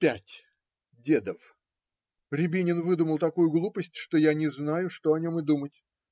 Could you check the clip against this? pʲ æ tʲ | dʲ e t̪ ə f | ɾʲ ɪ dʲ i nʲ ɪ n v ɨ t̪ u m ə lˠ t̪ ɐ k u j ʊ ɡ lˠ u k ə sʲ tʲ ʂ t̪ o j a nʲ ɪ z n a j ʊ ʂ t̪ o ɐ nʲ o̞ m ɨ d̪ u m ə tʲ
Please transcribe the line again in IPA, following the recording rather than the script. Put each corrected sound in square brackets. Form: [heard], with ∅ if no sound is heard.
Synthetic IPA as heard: pʲ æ tʲ | dʲ e [d̪] ə f | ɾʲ ɪ [bʲ] i nʲ ɪ n v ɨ [d̪] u m ə lˠ t̪ ɐ k u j ʊ ɡ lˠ u [p] ə sʲ tʲ ʂ t̪ o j a nʲ ɪ z n a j ʊ ʂ t̪ o ɐ nʲ o̞ m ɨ d̪ u m ə tʲ

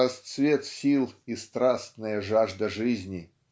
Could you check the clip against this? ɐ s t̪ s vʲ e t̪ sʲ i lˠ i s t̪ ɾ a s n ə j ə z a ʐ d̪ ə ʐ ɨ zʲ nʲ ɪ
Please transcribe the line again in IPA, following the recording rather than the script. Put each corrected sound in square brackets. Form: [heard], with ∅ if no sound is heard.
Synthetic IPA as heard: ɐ s t̪ s vʲ e t̪ sʲ i lˠ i s t̪ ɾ a s n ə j ə [ʐ] a ʐ d̪ ə ʐ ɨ zʲ nʲ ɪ

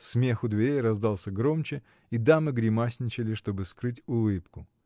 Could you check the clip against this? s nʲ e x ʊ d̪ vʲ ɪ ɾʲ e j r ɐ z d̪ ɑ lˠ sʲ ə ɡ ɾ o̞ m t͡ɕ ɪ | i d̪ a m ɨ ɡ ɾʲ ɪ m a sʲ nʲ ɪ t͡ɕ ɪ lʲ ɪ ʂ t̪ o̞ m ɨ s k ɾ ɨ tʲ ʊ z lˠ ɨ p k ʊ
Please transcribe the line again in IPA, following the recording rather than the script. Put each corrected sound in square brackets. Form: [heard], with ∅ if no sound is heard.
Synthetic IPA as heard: s [mʲ] e x ʊ d̪ vʲ ɪ ɾʲ e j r ɐ z d̪ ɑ lˠ sʲ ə ɡ ɾ o̞ m t͡ɕ ɪ | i d̪ a m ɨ ɡ ɾʲ ɪ m a sʲ nʲ ɪ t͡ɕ ɪ lʲ ɪ ʂ t̪ o̞ [b] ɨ s k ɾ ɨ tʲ ʊ [∅] lˠ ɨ p k ʊ

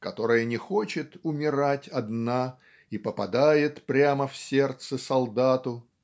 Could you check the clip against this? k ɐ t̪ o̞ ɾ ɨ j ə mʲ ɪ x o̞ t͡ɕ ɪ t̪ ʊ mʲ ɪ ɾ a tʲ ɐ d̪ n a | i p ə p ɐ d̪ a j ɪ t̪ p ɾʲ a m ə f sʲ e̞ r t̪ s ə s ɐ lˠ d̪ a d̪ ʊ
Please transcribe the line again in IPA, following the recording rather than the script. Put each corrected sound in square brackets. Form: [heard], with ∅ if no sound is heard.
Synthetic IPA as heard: k ɐ t̪ o̞ ɾ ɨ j ə [nʲ] ɪ x o̞ t͡ɕ ɪ t̪ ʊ mʲ ɪ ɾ a tʲ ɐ d̪ n a | i p ə p ɐ d̪ a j ɪ t̪ p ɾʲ a m ə f sʲ e̞ r t̪ s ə s ɐ lˠ d̪ a [t̪] ʊ

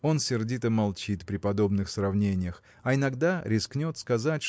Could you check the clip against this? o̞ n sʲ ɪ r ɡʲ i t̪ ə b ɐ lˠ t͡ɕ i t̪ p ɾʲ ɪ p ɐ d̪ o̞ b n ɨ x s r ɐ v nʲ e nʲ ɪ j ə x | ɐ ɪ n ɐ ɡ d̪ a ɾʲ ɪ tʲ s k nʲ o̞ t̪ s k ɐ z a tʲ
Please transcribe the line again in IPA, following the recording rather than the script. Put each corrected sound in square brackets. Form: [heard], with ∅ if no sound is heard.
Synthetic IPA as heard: o̞ n sʲ ɪ r [dʲ] i t̪ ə [m] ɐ lˠ t͡ɕ i t̪ p ɾʲ ɪ p ɐ d̪ o̞ b n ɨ x s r ɐ v nʲ e nʲ ɪ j ə x | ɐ ɪ n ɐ ɡ d̪ a ɾʲ ɪ [∅] s k nʲ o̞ t̪ s k ɐ z a tʲ

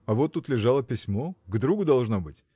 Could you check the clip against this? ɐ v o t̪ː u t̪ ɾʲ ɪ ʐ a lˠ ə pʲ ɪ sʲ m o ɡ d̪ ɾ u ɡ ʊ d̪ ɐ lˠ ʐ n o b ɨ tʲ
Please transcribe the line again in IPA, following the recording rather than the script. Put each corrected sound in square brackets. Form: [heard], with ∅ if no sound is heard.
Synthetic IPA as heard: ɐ v o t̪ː u t̪ [lʲ] ɪ ʐ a lˠ ə pʲ ɪ sʲ m o ɡ d̪ ɾ u ɡ ʊ d̪ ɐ lˠ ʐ n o b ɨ tʲ

